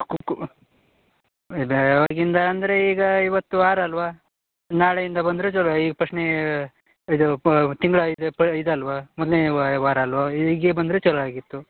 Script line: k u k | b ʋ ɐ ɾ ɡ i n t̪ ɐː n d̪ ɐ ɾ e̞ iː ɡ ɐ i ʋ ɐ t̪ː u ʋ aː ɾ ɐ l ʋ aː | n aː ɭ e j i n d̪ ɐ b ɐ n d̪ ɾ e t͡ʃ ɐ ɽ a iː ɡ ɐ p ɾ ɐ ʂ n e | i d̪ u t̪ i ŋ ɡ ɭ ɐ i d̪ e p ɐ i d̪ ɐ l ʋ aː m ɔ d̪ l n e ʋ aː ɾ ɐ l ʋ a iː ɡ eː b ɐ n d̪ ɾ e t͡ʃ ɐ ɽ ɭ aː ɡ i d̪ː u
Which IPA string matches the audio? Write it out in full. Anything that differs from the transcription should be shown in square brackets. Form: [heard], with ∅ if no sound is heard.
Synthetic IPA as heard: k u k | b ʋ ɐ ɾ ɡ i n [d̪] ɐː n d̪ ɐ ɾ e̞ iː ɡ ɐ i ʋ ɐ t̪ː u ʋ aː ɾ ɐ l ʋ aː | n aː ɭ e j i n d̪ ɐ b ɐ n d̪ ɾ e t͡ʃ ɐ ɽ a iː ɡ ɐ p ɾ ɐ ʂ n e | i d̪ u t̪ i ŋ ɡ ɭ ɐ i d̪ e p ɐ i d̪ ɐ l ʋ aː m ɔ d̪ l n e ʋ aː ɾ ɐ l ʋ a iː ɡ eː b ɐ n d̪ ɾ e t͡ʃ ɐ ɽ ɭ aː ɡ i [t̪ː] u